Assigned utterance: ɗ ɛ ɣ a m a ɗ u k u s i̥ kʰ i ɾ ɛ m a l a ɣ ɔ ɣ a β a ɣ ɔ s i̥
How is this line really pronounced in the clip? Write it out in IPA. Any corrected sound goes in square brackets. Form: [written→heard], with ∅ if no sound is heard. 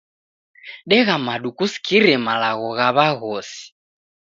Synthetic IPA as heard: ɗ ɛ ɣ a m a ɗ u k u s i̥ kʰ i ɾ ɛ m a l a ɣ ɔ ɣ a β a ɣ ɔ s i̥